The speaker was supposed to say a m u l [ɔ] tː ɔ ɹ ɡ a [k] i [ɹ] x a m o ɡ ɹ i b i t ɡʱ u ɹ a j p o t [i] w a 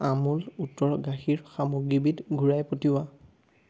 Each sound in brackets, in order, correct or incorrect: incorrect: u, incorrect: x, correct, correct

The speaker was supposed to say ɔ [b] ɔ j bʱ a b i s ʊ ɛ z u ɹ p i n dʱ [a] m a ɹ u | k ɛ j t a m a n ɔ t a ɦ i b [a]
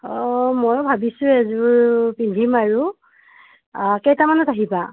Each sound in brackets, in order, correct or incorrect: incorrect: m, incorrect: i, correct

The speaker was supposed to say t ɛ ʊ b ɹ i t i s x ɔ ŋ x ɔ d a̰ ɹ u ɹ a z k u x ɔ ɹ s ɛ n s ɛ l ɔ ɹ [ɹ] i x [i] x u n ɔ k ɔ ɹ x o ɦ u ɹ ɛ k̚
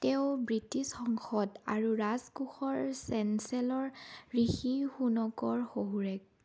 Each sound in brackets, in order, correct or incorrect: correct, correct

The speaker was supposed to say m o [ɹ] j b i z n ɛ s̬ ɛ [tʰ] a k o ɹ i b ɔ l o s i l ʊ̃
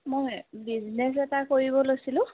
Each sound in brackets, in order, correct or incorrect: incorrect: none, incorrect: t

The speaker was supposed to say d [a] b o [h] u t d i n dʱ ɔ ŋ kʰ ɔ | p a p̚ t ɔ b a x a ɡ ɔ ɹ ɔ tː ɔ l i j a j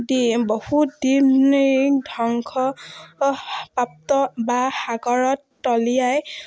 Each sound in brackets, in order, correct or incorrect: incorrect: i, correct

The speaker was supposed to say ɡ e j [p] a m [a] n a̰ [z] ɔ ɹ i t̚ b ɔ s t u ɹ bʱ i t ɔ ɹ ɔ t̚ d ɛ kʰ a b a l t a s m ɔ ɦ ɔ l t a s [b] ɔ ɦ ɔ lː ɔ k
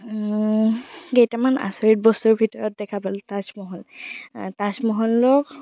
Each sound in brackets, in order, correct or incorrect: incorrect: t, correct, incorrect: s, incorrect: m

